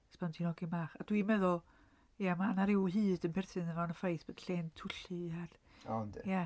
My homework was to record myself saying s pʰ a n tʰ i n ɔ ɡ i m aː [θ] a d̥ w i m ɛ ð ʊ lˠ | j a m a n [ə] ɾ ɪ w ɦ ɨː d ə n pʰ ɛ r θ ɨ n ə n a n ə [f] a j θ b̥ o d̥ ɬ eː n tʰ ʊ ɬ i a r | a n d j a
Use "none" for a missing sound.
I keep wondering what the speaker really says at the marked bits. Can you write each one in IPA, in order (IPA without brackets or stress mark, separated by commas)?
χ, a, f